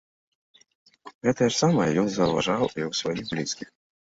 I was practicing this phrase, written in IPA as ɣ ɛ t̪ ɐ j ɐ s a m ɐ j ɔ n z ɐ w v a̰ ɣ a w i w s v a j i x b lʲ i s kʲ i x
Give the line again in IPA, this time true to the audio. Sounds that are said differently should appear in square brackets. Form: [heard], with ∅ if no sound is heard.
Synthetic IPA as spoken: ɣ ɛ t̪ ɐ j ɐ s a m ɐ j ɔ n z ɐ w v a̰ [ʐ] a w i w s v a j i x b lʲ i s kʲ i x